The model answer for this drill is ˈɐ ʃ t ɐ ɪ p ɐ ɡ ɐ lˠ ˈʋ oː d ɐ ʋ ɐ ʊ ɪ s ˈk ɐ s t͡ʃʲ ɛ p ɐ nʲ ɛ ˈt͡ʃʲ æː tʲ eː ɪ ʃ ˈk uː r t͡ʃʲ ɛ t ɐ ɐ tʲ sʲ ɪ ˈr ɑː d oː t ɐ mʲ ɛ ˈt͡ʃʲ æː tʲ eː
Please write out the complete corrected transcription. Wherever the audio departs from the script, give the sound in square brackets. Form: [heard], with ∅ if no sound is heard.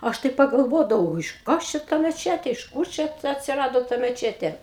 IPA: ˈɐ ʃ t ɐ ɪ p ɐ ɡ ɐ lˠ ˈʋ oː d ɐ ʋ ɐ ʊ ɪ [ʃ] ˈk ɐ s t͡ʃʲ ɛ [t] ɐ [mʲ] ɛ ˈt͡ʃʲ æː tʲ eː ɪ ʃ ˈk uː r t͡ʃʲ ɛ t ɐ ɐ tʲ sʲ ɪ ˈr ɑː d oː t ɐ mʲ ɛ ˈt͡ʃʲ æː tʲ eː